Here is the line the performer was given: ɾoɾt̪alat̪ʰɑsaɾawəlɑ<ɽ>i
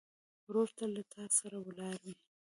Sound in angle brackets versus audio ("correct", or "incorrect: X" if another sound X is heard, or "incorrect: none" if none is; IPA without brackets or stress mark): incorrect: ɾ